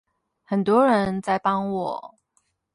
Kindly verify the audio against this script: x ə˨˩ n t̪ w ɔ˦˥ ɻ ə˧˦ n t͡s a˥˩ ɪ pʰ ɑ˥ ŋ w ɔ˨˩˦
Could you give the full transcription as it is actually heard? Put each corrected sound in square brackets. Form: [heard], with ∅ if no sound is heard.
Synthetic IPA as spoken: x ə˨˩ n t̪ w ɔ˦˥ ɻ ə˧˦ n t͡s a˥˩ ɪ [p] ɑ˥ ŋ w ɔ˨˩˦